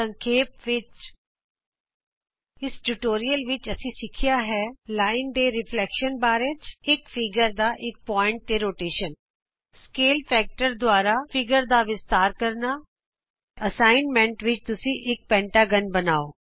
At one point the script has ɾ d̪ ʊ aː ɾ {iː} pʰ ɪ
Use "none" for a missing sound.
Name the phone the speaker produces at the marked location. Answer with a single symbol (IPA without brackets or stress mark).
aː